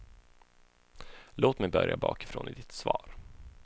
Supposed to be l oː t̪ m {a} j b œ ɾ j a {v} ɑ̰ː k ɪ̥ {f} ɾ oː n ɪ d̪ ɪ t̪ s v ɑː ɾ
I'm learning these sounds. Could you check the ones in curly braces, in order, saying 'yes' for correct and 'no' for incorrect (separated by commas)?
no, no, yes